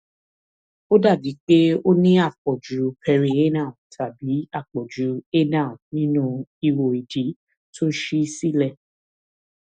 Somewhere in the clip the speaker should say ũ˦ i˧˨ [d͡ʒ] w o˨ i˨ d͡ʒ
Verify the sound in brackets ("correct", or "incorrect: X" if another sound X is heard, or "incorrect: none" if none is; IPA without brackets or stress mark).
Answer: incorrect: none